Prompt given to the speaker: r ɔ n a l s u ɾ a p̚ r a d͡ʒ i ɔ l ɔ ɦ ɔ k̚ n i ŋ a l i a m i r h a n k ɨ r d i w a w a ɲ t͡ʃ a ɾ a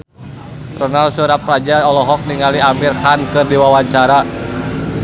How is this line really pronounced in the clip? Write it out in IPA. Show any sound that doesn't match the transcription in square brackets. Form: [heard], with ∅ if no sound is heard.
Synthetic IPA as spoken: r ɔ n a l s u ɾ a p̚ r a d͡ʒ [a] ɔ l ɔ ɦ ɔ k̚ n i ŋ a l i a m i r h a n k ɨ r d i w a w a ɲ t͡ʃ a ɾ a

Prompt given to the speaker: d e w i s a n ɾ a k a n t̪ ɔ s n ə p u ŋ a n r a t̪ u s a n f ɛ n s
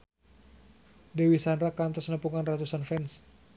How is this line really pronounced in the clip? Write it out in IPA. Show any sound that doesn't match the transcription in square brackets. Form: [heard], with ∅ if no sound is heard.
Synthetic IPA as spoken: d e w i s a n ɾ a k a n t̪ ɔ s n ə p u ŋ a n r a t̪ u s a n f ɛ n s

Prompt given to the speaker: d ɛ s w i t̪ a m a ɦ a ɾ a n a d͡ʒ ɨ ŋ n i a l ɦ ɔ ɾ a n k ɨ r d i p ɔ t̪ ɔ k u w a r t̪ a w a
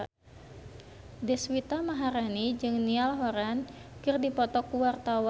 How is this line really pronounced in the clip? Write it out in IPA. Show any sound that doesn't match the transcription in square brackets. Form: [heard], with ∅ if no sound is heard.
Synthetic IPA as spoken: d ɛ s w i t̪ a m a ɦ a ɾ a n [i] d͡ʒ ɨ ŋ n i a l ɦ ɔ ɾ a n k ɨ r d i p ɔ t̪ ɔ k u w a r t̪ a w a

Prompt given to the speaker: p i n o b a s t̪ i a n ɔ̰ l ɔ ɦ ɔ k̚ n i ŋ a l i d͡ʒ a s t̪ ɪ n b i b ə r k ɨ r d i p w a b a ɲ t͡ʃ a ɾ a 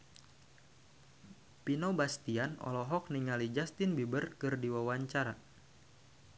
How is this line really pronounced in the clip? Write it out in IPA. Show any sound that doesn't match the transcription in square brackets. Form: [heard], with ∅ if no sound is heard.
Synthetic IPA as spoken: p i n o b a s t̪ i a n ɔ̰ l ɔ ɦ ɔ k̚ n i ŋ a l i d͡ʒ a s t̪ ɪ n b i b ə r k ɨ r d i [∅] w a [w] a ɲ t͡ʃ a ɾ a

